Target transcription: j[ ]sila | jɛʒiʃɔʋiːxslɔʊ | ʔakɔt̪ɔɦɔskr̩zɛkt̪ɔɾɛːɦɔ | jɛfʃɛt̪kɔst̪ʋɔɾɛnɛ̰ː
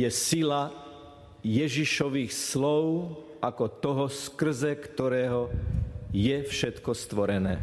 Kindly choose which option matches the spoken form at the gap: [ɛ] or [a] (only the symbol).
ɛ